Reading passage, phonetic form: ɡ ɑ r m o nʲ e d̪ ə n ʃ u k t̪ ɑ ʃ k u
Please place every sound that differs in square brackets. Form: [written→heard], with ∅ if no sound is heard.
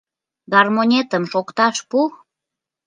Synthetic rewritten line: ɡ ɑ r m o nʲ e [d̪→t̪] ə [n→m] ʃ [u→o] k t̪ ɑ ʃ [k→p] u